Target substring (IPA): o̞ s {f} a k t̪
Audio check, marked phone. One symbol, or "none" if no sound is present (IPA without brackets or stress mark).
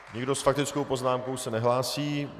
f